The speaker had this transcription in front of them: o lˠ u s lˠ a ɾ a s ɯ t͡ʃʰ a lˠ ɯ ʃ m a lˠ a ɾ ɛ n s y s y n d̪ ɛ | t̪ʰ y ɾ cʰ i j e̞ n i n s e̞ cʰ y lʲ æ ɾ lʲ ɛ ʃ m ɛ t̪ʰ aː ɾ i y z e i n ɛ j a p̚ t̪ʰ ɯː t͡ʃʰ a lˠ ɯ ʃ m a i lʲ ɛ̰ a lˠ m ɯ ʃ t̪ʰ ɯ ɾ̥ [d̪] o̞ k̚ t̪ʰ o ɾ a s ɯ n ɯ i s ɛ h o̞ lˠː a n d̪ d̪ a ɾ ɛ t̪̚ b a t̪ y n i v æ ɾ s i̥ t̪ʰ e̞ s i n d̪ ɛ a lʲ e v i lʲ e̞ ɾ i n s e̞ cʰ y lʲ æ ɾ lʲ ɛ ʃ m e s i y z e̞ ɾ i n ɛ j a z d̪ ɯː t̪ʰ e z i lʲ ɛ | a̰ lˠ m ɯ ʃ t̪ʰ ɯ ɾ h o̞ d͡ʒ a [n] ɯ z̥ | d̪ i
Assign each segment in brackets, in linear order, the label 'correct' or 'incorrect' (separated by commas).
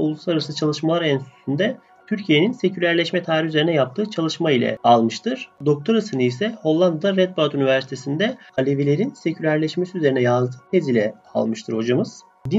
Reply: correct, incorrect